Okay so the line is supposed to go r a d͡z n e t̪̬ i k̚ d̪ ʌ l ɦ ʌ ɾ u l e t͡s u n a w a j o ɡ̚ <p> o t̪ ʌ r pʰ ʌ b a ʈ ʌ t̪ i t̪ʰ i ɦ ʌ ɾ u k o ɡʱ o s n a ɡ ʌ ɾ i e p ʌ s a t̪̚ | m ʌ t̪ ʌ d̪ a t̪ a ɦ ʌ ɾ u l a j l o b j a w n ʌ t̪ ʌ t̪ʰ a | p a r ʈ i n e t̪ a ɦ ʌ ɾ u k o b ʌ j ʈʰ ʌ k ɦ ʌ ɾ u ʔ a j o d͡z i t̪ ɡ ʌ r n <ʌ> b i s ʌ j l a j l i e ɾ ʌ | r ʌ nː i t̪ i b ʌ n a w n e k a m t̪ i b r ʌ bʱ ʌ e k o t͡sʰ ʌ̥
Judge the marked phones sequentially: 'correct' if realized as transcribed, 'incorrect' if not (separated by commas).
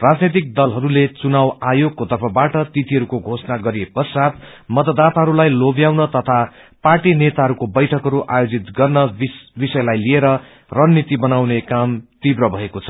incorrect, correct